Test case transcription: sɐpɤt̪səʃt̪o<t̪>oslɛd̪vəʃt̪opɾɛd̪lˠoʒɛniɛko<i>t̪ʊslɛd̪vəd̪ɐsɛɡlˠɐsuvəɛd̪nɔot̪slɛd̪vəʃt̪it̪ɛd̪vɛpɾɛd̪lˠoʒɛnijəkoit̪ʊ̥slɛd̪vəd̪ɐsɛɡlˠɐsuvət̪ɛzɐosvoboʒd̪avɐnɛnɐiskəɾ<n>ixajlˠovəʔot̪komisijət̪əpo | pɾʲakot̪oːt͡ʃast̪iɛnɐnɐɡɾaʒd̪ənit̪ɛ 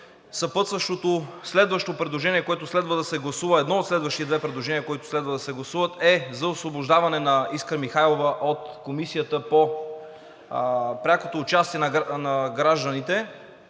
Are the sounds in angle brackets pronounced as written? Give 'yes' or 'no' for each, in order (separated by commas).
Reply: yes, no, no